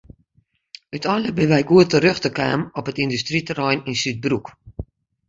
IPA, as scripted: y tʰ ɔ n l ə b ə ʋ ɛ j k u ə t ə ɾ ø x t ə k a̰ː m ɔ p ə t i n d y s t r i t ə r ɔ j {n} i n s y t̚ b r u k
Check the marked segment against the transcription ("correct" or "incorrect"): correct